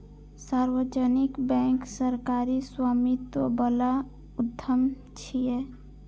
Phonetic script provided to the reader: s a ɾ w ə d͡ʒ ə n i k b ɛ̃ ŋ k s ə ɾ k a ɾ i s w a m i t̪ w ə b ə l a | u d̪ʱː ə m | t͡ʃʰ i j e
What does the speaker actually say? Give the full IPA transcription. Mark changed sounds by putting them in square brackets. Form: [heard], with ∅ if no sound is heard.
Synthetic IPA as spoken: s a ɾ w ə d͡ʒ ə n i k b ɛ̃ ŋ k s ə ɾ k a ɾ i s w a m i t̪ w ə b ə l a | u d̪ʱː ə m | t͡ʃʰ i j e